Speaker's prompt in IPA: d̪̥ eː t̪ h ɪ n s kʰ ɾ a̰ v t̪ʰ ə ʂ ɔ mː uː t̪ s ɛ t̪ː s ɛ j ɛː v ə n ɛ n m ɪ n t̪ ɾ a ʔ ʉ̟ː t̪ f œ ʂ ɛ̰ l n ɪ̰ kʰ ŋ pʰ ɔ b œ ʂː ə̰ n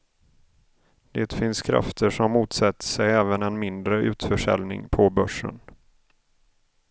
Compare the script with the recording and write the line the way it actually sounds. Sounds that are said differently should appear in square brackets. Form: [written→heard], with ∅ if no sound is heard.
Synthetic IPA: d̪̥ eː t̪ [h→f] ɪ n s kʰ ɾ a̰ [v→f] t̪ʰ ə ʂ ɔ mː uː t̪ s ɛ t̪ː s ɛ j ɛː v ə n ɛ n m ɪ n [t̪→d̪] ɾ [a→ə] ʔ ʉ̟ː t̪ f œ ʂ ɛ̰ l n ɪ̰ [kʰ→∅] ŋ pʰ ɔ b œ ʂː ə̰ n